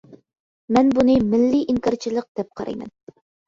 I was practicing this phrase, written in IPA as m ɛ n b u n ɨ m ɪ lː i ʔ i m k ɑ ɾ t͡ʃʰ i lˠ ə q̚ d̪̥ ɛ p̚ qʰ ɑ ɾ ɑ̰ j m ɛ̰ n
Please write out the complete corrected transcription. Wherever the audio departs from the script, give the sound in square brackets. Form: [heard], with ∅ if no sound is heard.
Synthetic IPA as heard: m ɛ n b u n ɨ m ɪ lː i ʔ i [ŋ] k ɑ ɾ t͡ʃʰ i lˠ ə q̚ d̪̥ ɛ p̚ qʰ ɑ ɾ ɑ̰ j m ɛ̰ n